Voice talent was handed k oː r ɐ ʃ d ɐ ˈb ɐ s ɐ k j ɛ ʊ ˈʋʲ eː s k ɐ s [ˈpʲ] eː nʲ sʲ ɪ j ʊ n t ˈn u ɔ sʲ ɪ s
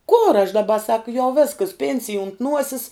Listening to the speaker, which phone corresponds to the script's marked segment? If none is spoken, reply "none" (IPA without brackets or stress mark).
pʲ